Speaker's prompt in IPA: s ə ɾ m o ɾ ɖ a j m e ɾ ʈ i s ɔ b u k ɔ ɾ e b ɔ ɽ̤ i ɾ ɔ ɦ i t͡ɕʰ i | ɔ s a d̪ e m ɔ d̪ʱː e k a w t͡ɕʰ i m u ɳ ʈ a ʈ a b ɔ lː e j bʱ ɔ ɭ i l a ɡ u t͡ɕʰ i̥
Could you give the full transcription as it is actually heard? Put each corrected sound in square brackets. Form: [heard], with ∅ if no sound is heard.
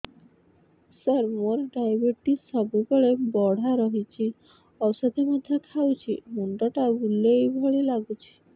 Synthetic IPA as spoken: s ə ɾ m o ɾ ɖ a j [b] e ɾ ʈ i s ɔ b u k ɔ [ɭ] e b ɔ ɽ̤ [a] ɾ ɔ ɦ i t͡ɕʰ i | ɔ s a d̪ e m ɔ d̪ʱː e [kʰ] a w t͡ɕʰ i m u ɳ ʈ a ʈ a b [u] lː e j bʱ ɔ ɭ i l a ɡ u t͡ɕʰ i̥